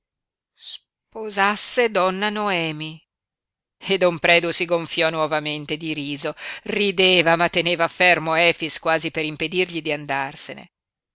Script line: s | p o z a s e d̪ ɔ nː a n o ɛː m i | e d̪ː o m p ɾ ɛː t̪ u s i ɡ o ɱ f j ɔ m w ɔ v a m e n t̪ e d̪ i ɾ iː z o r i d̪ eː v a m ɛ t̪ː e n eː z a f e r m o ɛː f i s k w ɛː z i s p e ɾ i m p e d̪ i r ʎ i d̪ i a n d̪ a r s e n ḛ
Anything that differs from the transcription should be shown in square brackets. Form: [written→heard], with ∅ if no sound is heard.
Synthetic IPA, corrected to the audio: s | p o z a [s→sː] e d̪ ɔ nː a n o ɛː m i | e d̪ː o m p ɾ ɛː [t̪→d̪] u s i ɡ o ɱ f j ɔ [m→n] w ɔ v a m e n t̪ e d̪ i ɾ iː z o r i d̪ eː v a m [ɛ→a] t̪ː e n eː [z→v] a f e r m o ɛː f i s k w [ɛː→aː] z i [s→∅] p e ɾ i m p e d̪ i r ʎ i d̪ i a n d̪ a r s e n ḛ